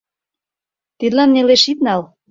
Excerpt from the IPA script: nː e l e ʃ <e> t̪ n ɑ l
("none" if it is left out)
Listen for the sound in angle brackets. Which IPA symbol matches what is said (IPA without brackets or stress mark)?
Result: i